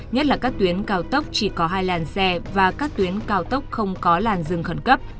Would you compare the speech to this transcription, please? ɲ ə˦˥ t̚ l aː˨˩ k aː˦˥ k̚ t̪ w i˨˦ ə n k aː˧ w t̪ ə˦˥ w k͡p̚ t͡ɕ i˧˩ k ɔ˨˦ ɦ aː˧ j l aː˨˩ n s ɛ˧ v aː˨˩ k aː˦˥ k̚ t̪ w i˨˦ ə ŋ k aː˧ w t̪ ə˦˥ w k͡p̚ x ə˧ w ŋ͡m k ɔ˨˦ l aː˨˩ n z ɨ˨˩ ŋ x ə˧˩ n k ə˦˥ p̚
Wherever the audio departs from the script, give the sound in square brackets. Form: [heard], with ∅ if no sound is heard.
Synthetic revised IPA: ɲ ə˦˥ t̚ l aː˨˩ k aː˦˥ k̚ t̪ w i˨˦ ə n k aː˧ w t̪ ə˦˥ w k͡p̚ t͡ɕ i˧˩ k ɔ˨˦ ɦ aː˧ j l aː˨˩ n s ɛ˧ v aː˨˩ k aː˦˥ k̚ t̪ w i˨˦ ə [n] k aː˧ w t̪ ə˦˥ w k͡p̚ x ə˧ w ŋ͡m k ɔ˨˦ l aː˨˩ n z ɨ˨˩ ŋ x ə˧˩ n k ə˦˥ p̚